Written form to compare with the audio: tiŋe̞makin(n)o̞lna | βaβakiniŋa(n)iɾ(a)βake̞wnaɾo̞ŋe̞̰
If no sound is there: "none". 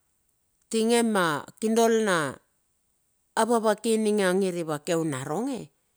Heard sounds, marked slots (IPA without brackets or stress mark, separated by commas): d, ŋ, i